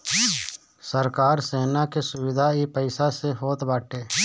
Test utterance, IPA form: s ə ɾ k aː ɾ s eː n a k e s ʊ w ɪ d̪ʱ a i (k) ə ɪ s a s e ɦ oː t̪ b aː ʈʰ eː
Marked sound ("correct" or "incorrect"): incorrect